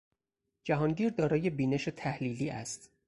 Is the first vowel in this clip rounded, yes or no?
no